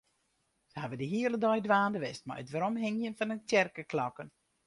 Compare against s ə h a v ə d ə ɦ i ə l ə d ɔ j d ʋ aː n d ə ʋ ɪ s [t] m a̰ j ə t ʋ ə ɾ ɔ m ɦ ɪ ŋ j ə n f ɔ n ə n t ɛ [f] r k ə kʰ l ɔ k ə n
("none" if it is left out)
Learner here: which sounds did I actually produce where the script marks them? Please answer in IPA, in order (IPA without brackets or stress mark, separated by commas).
t, none